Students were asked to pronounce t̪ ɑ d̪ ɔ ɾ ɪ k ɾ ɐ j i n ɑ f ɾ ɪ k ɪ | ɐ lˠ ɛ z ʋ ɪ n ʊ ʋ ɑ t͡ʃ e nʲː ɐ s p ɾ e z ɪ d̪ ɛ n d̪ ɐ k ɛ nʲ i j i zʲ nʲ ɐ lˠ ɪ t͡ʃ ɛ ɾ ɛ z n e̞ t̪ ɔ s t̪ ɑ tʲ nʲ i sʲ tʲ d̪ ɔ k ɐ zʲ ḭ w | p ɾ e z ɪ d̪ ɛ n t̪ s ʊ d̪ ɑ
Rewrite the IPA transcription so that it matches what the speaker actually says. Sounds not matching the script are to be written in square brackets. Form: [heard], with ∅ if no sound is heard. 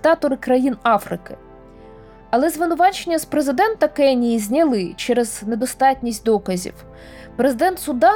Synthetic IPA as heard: t̪ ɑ [t̪] ɔ ɾ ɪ k ɾ ɐ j i n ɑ f ɾ ɪ k ɪ | ɐ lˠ ɛ z ʋ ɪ n ʊ ʋ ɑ t͡ʃ e nʲː ɐ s p ɾ e z ɪ d̪ ɛ n [t̪] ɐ k ɛ nʲ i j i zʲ nʲ ɐ lˠ ɪ t͡ʃ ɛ ɾ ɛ z n e̞ [d̪] ɔ s t̪ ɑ tʲ nʲ i sʲ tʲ d̪ ɔ k ɐ zʲ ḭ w | p ɾ e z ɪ d̪ ɛ n t̪ s ʊ d̪ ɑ